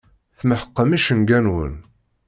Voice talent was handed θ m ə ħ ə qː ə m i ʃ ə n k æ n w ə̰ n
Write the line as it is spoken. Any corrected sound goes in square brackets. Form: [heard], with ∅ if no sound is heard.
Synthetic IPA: θ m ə ħ ə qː ə m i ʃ ə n [ɡ] æ n w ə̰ n